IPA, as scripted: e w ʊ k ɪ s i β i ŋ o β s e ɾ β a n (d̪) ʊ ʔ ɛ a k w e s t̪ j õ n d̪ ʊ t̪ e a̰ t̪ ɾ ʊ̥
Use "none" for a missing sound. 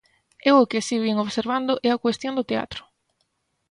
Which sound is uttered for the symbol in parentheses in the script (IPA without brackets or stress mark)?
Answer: d̪